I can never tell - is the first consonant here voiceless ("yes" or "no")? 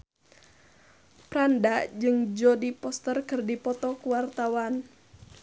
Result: yes